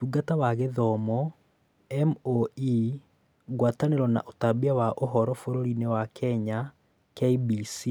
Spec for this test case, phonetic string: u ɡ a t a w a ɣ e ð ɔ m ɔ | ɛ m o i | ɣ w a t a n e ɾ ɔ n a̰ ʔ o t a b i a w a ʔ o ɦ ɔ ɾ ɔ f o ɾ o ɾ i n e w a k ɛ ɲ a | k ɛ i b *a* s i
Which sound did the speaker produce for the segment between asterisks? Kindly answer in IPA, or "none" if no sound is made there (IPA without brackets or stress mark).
i